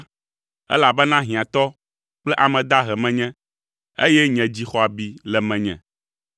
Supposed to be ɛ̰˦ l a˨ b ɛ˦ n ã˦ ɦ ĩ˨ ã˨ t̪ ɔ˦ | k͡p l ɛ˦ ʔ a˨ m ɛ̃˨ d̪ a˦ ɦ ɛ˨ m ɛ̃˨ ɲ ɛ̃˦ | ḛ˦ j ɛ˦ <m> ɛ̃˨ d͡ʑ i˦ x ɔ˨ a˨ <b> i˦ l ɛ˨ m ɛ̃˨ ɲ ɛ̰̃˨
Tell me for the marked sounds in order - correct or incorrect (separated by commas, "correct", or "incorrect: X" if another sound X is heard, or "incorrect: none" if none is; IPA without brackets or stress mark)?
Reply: incorrect: ɲ, correct